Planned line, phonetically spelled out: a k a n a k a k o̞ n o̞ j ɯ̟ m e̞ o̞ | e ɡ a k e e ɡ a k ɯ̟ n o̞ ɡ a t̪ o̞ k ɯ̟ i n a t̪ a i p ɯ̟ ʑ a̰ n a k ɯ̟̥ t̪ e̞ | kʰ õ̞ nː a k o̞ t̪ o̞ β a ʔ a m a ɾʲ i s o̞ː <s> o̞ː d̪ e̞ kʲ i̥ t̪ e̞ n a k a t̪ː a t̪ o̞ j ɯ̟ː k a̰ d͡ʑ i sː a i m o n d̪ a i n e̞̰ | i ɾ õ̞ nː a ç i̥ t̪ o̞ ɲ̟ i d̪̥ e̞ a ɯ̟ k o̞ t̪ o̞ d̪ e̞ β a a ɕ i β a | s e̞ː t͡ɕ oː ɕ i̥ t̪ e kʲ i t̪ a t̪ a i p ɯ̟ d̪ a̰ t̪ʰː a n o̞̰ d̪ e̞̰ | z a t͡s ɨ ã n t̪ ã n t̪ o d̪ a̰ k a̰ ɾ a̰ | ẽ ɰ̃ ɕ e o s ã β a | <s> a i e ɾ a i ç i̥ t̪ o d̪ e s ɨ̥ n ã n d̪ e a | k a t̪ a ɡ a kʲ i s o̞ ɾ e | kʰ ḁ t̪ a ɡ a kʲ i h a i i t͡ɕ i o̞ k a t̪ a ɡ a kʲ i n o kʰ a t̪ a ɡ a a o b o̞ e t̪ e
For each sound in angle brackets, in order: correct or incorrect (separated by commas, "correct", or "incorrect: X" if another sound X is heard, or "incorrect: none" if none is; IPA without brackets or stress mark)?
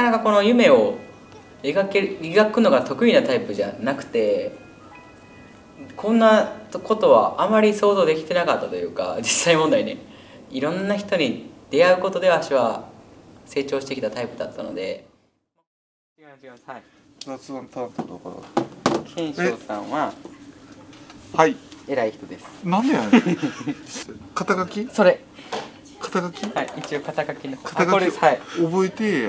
incorrect: z, incorrect: h